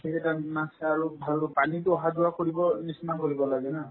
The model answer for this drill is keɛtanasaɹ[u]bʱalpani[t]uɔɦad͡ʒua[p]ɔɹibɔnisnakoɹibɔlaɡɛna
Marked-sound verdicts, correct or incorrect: correct, correct, incorrect: k

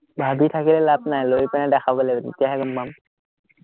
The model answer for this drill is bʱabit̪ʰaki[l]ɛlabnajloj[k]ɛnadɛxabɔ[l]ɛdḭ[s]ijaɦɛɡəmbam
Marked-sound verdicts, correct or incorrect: correct, incorrect: p, correct, incorrect: t

